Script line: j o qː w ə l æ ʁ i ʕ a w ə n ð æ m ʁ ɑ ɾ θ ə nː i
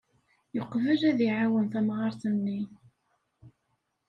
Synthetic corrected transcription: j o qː v ə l æ ð i ʕ a w ə n θ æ m ʁ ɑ ɾ θ ə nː i